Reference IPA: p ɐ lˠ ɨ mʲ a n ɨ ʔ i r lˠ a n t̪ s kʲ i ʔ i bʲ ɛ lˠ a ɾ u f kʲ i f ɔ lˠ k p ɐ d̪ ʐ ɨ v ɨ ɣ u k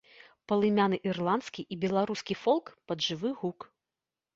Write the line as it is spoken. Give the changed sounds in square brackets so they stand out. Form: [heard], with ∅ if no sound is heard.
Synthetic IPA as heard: p ɐ lˠ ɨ mʲ a n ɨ ʔ i r lˠ a n t̪ s kʲ i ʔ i bʲ ɛ lˠ a ɾ u [s] kʲ i f ɔ lˠ k p ɐ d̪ ʐ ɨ v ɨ ɣ u k